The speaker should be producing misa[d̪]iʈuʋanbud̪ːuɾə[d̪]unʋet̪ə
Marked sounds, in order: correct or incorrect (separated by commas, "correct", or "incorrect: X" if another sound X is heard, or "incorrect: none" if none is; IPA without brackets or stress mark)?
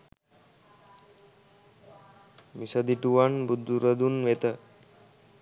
correct, correct